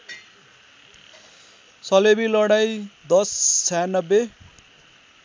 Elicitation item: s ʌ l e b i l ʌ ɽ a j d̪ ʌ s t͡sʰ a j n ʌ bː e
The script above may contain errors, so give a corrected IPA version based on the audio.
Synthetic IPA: s ʌ l e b i l ʌ ɽ a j d̪ ʌ s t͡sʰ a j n ʌ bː e